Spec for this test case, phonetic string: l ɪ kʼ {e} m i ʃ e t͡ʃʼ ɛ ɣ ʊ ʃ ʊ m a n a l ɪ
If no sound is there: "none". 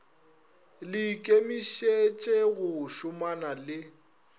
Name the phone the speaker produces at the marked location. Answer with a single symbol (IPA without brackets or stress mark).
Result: e